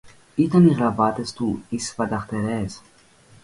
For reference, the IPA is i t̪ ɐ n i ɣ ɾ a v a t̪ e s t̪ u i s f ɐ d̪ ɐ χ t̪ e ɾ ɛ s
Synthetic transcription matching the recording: i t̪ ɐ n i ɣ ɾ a v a t̪ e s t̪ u i s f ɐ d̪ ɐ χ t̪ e ɾ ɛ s